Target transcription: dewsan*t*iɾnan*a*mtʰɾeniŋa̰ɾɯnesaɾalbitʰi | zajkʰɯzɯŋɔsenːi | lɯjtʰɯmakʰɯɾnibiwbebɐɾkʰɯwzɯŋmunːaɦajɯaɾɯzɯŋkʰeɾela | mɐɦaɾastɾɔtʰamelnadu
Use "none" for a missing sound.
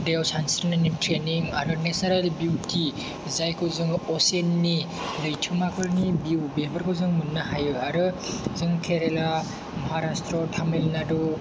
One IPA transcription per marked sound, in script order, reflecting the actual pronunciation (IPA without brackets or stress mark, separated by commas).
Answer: s, i